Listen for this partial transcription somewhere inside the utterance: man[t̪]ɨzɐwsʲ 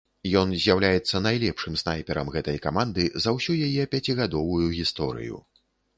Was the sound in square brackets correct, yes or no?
no